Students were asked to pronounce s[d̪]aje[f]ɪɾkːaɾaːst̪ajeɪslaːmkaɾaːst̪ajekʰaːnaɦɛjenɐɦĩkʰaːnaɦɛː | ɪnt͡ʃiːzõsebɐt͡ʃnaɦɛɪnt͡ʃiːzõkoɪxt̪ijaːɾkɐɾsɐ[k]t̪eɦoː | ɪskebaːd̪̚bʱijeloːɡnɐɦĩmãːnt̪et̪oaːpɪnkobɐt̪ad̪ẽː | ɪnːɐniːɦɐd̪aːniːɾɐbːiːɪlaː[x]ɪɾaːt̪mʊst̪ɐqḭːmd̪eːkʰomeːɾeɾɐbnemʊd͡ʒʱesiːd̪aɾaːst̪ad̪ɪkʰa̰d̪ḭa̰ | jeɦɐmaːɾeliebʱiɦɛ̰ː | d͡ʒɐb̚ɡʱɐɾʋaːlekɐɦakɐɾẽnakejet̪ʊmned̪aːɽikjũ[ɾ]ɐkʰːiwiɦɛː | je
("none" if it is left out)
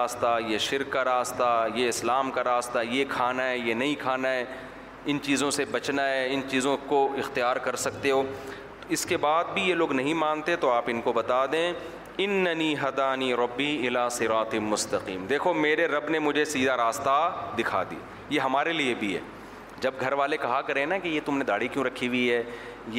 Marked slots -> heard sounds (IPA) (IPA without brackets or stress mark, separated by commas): t̪, ʃ, k, s, ɾ